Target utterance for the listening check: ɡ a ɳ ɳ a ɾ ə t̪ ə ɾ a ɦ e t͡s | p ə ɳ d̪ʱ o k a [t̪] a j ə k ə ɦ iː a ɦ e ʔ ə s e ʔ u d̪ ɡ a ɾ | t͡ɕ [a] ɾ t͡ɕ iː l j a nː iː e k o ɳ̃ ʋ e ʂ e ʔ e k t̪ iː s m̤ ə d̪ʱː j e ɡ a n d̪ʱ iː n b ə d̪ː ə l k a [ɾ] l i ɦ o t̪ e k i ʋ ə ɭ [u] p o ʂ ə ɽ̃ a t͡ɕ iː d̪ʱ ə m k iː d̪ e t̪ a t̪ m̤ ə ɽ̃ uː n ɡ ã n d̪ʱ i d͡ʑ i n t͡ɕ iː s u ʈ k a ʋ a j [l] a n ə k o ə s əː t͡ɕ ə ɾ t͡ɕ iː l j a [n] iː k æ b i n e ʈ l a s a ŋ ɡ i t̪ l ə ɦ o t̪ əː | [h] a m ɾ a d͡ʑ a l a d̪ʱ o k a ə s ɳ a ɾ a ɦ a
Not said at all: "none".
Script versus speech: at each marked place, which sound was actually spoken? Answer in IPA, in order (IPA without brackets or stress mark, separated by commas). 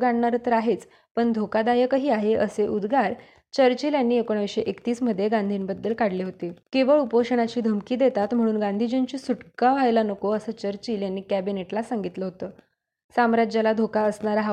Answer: d̪, ə, ɽ, u, l, nː, s